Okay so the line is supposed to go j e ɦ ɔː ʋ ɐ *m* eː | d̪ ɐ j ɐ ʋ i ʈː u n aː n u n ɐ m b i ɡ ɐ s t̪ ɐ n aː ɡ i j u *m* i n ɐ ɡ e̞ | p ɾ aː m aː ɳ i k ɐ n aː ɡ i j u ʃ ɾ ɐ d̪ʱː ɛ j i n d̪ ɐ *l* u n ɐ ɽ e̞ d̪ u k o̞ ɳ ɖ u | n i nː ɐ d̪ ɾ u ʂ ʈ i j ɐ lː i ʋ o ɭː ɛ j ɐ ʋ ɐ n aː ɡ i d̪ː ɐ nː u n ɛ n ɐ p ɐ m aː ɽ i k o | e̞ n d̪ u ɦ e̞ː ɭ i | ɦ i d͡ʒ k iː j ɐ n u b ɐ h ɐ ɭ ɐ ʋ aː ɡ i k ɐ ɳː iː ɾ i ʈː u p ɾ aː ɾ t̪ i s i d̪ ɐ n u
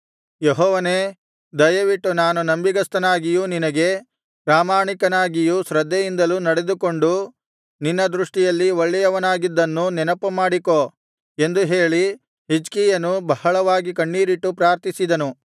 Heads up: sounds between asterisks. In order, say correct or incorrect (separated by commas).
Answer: incorrect, incorrect, correct